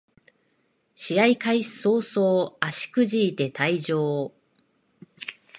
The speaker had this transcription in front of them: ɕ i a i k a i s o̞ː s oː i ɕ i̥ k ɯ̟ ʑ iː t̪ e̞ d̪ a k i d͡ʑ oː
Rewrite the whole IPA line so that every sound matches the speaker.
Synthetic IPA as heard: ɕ i a i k a i s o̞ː s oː a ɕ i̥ k ɯ̟ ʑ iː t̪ e̞ t̪ a i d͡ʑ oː